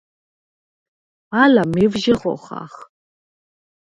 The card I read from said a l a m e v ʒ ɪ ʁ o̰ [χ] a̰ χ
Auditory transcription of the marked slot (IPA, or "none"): χ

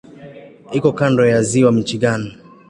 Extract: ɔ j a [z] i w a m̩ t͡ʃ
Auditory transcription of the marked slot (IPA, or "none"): z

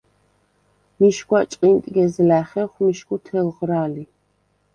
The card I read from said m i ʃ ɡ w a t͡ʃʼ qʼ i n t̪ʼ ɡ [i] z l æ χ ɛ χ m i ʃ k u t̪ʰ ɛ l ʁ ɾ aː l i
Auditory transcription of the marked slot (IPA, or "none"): ɛ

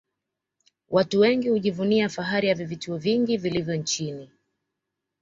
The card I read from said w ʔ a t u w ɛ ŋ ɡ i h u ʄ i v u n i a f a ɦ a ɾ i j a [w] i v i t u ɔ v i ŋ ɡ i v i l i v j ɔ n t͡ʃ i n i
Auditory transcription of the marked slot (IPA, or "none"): v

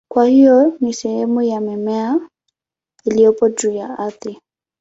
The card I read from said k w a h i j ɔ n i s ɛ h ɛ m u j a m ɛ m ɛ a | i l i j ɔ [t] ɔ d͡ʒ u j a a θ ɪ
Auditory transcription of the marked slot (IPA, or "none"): p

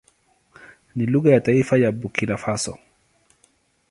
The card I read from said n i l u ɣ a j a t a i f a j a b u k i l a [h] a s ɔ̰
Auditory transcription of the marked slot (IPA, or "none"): f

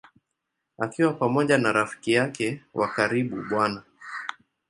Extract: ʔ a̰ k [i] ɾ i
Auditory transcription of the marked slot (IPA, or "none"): a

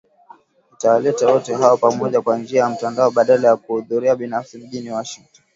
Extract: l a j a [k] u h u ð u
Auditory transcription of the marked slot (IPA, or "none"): k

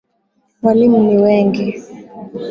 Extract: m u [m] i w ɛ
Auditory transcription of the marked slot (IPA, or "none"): n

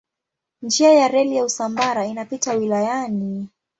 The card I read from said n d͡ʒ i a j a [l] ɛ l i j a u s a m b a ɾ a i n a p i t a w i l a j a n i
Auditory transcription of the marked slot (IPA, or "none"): ɾ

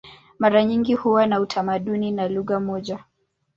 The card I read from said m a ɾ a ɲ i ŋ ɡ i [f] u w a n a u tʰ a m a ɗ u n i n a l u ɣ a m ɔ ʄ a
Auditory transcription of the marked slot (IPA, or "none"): h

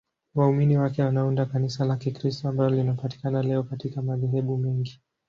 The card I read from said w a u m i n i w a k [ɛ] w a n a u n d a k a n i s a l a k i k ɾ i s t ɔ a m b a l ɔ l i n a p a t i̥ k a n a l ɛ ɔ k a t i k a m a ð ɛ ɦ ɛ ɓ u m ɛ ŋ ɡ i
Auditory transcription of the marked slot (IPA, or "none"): ɛ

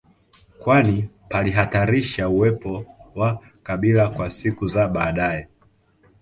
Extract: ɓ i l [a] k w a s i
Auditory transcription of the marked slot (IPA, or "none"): a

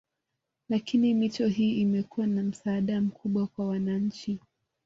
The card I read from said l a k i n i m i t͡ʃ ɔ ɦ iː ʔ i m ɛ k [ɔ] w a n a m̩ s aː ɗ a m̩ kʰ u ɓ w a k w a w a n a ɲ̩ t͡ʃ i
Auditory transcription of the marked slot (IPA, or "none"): u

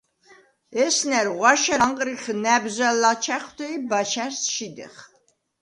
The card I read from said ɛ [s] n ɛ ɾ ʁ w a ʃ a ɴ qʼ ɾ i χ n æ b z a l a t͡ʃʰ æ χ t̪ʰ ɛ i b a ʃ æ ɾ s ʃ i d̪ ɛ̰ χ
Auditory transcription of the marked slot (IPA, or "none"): s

